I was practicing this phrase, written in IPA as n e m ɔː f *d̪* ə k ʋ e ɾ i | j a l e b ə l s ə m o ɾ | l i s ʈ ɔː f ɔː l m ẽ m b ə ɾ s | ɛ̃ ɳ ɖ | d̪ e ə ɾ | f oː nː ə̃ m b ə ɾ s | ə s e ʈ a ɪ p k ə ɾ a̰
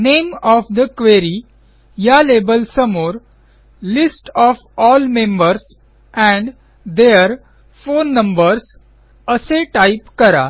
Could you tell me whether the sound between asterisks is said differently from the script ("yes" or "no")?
no